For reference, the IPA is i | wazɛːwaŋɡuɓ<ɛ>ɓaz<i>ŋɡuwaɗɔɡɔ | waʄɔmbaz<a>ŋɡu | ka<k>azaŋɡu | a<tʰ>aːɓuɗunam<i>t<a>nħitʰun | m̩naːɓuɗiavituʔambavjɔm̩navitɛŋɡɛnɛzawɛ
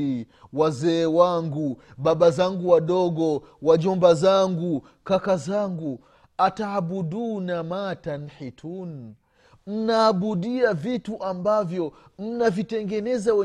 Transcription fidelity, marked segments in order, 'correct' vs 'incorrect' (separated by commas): incorrect, incorrect, correct, correct, incorrect, incorrect, correct